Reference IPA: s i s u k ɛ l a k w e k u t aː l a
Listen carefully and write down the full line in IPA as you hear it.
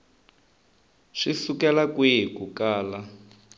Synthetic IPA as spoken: ʂ i s u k ɛ l a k w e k u k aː l a